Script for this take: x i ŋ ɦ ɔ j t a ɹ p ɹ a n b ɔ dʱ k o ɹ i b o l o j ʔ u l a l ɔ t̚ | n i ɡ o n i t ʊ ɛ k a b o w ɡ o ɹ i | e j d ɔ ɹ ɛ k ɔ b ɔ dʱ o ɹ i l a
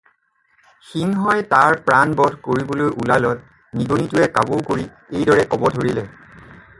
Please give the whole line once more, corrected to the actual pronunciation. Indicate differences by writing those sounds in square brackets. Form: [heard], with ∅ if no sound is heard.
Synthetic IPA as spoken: x i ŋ ɦ ɔ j t a ɹ p ɹ a n b ɔ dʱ k o ɹ i b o l o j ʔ u l a l ɔ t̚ | n i ɡ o n i t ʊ ɛ k a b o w [k] o ɹ i | e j d ɔ ɹ ɛ k ɔ b ɔ dʱ o ɹ i l [ɛ]

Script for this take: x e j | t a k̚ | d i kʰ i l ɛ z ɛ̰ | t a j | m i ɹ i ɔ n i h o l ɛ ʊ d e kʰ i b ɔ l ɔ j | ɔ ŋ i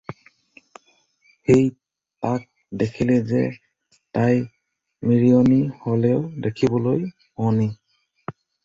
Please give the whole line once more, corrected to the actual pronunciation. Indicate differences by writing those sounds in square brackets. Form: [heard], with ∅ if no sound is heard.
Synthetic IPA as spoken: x e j | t a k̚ | d [e] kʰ i l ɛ z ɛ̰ | t a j | m i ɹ i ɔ n i h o l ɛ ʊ d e kʰ i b ɔ l [o] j | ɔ [n] i

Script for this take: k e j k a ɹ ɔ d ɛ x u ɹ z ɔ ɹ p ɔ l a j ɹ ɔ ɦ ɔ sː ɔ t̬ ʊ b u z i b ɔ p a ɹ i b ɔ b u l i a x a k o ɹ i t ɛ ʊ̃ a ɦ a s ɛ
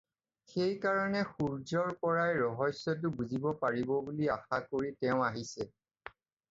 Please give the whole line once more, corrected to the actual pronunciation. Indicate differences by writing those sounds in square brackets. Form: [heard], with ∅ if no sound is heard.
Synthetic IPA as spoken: [x] e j k a ɹ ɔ [n] ɛ x u ɹ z ɔ ɹ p ɔ [ɹ] a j ɹ ɔ ɦ ɔ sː ɔ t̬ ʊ b u z i b ɔ p a ɹ i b ɔ b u l i a x a k o ɹ i t ɛ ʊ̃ a ɦ [i] s ɛ

